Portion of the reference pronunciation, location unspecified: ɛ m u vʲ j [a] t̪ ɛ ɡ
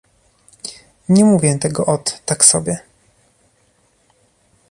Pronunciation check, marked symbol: incorrect: ɛ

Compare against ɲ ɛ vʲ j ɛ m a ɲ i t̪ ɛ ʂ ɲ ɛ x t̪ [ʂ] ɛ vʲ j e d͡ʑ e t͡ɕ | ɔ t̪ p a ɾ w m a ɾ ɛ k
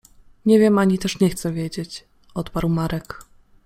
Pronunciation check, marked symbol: incorrect: s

